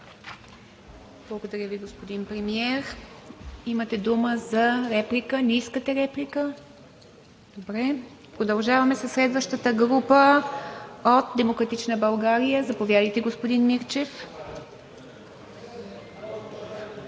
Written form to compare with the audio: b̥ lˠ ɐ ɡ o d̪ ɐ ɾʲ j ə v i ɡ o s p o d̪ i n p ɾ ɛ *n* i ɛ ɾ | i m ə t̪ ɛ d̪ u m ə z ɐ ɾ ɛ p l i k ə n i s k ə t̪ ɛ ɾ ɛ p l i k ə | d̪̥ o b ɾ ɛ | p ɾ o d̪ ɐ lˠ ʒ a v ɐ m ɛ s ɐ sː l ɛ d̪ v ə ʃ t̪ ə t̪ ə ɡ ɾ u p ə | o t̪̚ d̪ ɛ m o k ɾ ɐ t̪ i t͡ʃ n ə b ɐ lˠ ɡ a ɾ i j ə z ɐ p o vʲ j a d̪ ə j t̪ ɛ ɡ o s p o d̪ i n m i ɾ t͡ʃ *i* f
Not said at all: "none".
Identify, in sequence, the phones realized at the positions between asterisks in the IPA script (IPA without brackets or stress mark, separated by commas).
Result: m, ɛ